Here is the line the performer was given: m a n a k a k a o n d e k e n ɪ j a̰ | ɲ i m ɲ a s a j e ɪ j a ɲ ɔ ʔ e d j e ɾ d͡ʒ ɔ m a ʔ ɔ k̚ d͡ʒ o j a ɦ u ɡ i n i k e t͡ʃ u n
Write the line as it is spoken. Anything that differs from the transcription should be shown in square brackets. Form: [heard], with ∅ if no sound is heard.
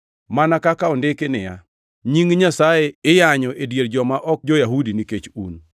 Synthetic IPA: m a n a k a k a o n d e k e n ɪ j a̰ | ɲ i [ŋ] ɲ a s a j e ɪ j a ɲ ɔ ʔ e d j e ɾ d͡ʒ ɔ m a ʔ ɔ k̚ d͡ʒ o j a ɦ u [d] i n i k e t͡ʃ u n